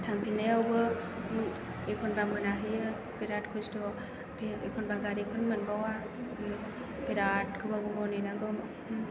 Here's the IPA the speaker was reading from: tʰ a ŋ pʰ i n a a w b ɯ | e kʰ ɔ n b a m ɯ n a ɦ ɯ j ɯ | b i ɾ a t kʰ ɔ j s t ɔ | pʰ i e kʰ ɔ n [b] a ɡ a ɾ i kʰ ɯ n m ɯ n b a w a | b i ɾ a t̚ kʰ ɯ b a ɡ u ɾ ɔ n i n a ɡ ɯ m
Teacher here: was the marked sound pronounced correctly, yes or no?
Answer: yes